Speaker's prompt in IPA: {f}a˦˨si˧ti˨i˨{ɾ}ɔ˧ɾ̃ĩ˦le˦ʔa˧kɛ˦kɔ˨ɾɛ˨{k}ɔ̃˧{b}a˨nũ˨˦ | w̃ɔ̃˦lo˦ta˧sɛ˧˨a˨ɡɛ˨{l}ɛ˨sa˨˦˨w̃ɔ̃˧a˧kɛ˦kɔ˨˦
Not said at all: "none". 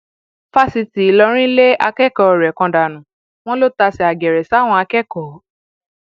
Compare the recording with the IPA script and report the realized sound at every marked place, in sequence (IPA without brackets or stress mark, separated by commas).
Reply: f, l, k, d, ɾ